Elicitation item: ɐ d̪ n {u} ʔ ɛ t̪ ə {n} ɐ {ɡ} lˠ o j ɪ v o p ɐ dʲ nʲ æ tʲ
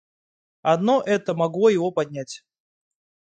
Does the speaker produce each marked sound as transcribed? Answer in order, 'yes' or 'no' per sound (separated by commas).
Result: no, no, yes